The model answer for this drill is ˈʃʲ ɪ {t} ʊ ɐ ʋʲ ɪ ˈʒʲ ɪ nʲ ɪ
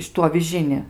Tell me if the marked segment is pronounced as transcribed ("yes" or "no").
yes